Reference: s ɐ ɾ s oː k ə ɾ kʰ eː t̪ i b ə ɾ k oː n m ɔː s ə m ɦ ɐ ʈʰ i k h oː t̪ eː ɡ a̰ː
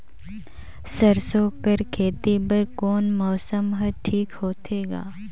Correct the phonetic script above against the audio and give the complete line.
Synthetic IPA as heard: s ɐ ɾ s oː k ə ɾ kʰ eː t̪ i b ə ɾ k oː n m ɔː s ə m ɦ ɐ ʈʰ iː k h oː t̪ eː ɡ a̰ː